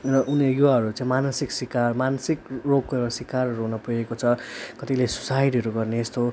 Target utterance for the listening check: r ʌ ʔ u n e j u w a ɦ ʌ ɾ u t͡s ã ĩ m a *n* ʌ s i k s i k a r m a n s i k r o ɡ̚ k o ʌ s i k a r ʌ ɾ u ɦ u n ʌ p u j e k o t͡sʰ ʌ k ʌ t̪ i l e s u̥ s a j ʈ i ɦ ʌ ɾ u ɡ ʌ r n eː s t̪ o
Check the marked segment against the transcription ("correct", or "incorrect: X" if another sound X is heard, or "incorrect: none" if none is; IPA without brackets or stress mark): correct